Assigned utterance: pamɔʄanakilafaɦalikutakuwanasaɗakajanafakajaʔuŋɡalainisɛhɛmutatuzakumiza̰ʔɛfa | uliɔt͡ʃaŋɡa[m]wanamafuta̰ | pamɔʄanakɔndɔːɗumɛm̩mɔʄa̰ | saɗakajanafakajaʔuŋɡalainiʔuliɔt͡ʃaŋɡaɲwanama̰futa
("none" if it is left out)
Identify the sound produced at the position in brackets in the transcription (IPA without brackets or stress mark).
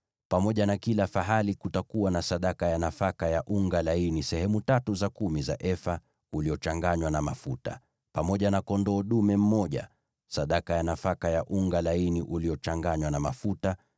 ɲ